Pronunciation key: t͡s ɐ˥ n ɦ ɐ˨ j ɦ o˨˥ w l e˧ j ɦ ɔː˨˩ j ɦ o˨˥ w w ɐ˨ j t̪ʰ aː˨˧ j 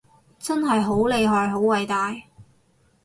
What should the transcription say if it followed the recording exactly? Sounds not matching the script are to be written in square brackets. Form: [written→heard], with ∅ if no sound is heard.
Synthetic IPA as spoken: t͡s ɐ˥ n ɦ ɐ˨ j ɦ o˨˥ w l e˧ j ɦ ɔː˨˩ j ɦ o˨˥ w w ɐ˨ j [t̪ʰ→t̪] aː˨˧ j